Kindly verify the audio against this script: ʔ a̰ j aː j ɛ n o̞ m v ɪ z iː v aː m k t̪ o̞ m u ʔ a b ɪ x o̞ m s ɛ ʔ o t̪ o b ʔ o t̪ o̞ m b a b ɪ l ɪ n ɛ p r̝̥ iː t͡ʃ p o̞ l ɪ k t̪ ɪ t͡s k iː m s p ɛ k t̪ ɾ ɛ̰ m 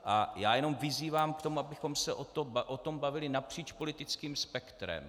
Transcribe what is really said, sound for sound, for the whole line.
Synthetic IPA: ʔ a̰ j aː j ɛ n o̞ m v ɪ z iː v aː m k t̪ o̞ m u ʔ a b ɪ x o̞ m s ɛ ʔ o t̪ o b ʔ o t̪ o̞ m b a v ɪ l ɪ n a p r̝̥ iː t͡ʃ p o̞ l ɪ t̪ ɪ t͡s k iː m s p ɛ k t̪ ɾ ɛ̰ m